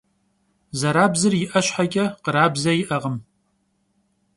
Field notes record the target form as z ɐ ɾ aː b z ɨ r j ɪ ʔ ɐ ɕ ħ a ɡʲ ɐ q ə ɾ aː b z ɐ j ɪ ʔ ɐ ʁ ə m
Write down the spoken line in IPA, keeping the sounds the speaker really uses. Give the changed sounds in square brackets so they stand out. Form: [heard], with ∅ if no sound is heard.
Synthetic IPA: z ɐ ɾ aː b z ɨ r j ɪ ʔ ɐ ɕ ħ a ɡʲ ɐ q ə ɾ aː b z ɐ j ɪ ʔ ɐ ʁ ə m